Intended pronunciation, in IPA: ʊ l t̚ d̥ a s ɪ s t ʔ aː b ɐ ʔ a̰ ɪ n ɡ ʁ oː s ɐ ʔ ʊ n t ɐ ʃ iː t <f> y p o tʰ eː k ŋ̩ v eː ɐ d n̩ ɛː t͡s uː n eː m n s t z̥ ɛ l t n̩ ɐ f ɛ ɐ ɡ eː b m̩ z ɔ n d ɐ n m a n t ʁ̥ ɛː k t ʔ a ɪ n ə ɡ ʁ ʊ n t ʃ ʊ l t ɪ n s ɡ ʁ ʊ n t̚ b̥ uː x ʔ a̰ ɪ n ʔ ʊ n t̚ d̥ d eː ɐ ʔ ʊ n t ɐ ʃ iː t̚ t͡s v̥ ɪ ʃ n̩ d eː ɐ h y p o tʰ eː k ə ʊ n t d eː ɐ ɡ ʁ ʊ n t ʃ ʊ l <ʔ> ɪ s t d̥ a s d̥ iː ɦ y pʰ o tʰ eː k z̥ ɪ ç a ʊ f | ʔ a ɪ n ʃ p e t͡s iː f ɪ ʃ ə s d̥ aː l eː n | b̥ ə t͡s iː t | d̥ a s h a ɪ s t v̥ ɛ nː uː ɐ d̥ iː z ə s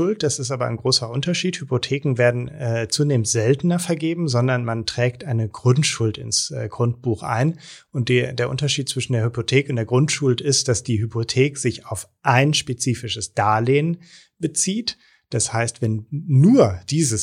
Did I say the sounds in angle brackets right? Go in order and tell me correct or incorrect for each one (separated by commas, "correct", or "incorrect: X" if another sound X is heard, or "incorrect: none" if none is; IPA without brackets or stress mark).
incorrect: h, incorrect: t